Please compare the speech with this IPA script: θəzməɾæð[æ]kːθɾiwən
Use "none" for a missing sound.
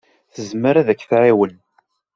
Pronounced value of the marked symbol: æ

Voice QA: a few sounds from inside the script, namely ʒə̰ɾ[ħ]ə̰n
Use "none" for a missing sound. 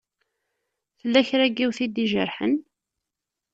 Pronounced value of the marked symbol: ħ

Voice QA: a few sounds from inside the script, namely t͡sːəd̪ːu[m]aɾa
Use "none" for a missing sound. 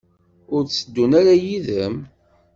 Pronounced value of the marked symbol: n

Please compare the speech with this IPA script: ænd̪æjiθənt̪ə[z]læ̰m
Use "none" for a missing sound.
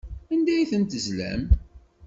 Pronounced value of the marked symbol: z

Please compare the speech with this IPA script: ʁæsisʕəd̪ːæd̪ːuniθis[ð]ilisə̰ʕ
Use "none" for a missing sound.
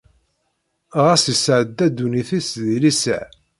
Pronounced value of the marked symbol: ð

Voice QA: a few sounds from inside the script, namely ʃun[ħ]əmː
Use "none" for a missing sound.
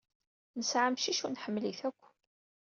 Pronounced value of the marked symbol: ħ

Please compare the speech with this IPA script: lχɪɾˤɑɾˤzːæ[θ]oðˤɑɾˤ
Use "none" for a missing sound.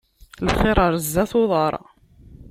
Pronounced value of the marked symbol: θ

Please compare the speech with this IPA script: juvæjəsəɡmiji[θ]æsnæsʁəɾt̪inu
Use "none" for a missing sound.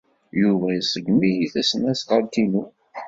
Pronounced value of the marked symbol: θ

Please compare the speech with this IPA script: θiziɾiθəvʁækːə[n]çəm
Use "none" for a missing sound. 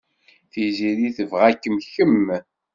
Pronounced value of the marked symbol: m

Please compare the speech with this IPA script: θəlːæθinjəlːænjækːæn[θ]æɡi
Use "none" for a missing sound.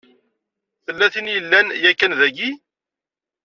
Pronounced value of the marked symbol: ð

